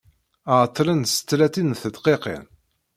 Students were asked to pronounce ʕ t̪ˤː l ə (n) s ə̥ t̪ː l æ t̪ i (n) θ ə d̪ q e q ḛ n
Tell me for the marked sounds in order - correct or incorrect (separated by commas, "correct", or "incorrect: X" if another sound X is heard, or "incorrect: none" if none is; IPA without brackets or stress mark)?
correct, correct